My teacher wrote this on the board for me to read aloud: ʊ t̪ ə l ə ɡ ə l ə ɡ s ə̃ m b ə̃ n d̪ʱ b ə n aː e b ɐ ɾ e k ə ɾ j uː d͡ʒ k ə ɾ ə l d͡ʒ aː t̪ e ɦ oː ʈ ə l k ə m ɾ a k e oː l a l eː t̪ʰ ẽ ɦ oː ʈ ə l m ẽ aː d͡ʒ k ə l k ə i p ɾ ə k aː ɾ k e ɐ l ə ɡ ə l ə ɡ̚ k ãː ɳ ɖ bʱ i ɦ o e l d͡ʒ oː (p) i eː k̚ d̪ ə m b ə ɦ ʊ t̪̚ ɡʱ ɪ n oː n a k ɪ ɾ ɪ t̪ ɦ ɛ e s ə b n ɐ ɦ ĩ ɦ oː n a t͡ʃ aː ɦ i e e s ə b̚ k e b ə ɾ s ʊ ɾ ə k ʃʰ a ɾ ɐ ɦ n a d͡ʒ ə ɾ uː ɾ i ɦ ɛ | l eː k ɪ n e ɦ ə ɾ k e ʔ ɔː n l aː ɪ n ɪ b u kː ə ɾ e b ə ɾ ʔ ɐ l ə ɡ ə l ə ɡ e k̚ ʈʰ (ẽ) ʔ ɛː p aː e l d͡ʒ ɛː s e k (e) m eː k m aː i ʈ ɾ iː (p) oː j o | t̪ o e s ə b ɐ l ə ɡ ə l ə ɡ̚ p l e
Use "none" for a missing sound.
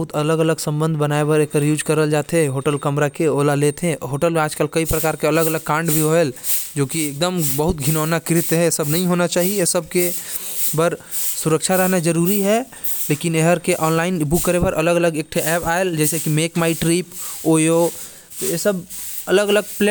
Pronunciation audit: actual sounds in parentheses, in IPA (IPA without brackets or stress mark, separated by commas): k, e, i, p